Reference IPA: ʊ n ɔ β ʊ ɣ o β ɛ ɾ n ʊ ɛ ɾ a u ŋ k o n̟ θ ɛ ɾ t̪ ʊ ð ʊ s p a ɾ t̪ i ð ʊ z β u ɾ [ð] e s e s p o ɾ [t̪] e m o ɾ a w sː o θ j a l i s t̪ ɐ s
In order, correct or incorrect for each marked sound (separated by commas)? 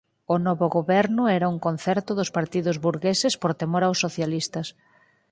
incorrect, correct